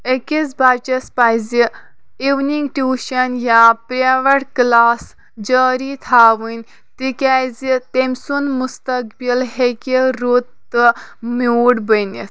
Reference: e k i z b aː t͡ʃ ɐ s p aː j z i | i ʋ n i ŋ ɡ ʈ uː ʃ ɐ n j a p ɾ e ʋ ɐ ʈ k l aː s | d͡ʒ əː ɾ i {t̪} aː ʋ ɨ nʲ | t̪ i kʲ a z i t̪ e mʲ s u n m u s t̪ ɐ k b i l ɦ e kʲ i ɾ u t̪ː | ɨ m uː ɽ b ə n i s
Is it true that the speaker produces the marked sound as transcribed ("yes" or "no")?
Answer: no